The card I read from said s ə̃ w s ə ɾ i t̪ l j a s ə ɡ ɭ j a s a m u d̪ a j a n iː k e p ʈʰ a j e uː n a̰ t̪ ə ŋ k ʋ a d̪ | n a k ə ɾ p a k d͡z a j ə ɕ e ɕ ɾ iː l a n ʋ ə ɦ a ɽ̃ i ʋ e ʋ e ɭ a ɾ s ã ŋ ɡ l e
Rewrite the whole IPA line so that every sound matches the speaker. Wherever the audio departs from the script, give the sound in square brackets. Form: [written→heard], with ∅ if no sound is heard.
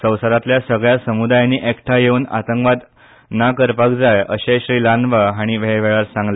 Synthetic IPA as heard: s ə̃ w s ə ɾ [i→a] t̪ l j a s ə ɡ ɭ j a s [a→ə] m u d̪ a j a n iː [k→ʔ] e [p→k] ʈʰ a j e uː n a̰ t̪ ə ŋ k ʋ a d̪ | n a k ə ɾ p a k d͡z a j ə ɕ e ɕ ɾ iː l a n ʋ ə ɦ a ɽ̃ i ʋ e ʋ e ɭ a ɾ s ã ŋ ɡ l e